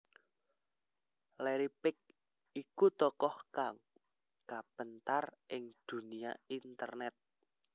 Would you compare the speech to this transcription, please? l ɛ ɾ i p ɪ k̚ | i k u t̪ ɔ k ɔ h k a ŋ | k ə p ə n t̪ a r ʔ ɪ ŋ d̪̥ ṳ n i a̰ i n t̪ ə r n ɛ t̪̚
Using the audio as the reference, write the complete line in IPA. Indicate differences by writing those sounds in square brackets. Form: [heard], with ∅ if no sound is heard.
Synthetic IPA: l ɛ ɾ i p ɪ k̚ | i k u t̪ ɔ k ɔ h k a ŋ | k [a] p ə n t̪ a r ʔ ɪ ŋ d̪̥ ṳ n i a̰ i n t̪ ə r n ɛ t̪̚